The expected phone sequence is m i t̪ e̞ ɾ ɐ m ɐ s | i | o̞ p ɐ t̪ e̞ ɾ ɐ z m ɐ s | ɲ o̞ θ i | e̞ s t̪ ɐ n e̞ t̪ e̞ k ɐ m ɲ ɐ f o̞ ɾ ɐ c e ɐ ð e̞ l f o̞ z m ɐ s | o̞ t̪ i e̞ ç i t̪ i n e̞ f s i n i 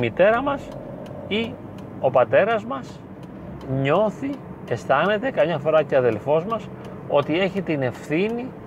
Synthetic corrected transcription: m i t̪ e̞ ɾ ɐ m ɐ s | i | o̞ p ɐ t̪ e̞ ɾ ɐ z m ɐ s | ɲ o̞ θ i | e̞ s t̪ ɐ n e̞ t̪ e̞ k ɐ m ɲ ɐ f o̞ ɾ ɐ c e ɐ ð e̞ l f o̞ z m ɐ s | o̞ t̪ i e̞ ç i t̪ i n e̞ f θ i n i